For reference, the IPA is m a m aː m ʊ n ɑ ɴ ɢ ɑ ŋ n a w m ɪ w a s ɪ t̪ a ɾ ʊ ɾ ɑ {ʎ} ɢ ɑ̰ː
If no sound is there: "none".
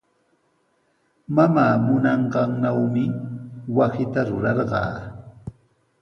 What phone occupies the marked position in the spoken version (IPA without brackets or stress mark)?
ɾ